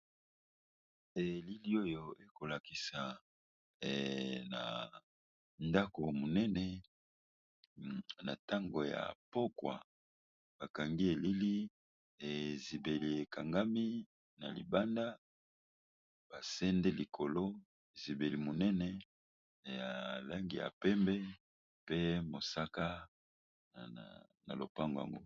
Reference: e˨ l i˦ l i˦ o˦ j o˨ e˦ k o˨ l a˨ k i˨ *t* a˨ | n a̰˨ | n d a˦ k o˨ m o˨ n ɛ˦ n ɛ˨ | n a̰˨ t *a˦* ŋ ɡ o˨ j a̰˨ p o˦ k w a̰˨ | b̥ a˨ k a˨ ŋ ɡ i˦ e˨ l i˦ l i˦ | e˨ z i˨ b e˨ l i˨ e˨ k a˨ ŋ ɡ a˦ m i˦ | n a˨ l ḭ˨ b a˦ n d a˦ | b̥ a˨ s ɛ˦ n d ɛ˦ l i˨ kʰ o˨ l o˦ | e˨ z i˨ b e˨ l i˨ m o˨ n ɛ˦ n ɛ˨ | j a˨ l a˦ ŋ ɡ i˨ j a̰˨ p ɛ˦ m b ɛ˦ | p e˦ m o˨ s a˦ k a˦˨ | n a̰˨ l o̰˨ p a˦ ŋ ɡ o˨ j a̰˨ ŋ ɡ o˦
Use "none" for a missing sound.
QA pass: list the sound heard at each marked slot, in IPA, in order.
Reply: s, a˦

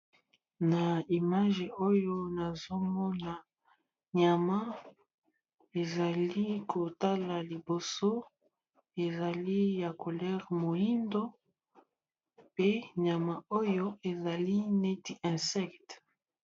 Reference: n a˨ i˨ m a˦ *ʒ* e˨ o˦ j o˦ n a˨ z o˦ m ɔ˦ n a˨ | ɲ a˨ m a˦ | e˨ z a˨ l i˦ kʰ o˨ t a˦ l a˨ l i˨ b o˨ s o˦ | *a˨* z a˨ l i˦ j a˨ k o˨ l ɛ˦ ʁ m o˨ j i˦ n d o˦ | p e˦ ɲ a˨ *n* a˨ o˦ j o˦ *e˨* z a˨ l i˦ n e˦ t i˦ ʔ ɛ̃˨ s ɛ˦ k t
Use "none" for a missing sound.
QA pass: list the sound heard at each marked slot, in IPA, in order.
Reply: ʒ, e˨, m, e˨

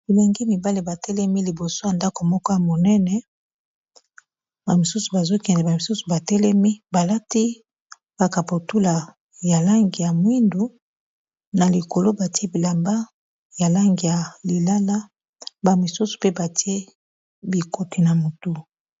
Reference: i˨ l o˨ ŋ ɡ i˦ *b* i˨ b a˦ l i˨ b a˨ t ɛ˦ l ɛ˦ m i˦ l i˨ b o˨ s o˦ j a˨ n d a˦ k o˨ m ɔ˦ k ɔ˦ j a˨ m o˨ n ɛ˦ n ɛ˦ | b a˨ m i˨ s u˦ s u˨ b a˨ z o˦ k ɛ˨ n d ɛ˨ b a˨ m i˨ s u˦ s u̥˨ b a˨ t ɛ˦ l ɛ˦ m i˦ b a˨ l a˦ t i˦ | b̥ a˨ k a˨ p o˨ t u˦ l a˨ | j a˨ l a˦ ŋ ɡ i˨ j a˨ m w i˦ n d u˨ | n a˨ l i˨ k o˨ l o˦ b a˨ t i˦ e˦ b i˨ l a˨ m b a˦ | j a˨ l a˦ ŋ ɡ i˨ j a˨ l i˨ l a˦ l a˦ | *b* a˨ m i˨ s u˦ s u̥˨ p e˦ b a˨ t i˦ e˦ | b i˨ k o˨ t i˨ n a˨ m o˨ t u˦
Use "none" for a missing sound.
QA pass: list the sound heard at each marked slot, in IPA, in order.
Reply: m, b

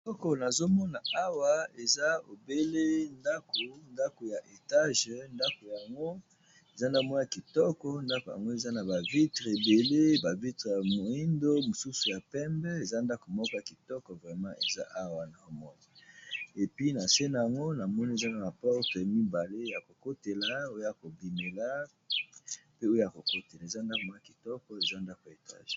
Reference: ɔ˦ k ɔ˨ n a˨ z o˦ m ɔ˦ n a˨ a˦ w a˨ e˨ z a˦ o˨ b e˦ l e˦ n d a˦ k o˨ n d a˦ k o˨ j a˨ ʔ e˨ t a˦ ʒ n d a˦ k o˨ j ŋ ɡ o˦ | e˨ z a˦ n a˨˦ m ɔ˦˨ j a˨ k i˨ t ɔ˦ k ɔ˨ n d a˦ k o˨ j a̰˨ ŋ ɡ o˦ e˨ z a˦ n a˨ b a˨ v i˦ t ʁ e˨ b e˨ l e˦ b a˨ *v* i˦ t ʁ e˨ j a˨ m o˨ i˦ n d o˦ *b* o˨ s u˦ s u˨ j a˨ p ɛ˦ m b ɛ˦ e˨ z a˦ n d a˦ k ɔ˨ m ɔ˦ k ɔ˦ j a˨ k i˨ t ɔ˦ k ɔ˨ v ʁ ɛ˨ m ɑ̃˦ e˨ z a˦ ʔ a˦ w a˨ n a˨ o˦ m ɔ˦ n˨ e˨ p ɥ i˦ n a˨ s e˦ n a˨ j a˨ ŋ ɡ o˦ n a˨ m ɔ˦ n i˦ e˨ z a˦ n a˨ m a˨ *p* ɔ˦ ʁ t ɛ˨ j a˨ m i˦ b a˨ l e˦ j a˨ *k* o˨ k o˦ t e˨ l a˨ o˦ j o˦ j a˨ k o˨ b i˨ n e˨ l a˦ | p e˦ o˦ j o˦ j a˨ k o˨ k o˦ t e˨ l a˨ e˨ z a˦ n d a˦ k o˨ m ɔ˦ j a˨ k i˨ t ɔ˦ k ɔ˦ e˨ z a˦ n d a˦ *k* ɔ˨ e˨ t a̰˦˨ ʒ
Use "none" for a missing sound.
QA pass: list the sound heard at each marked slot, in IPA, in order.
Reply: v, m, p, k, k

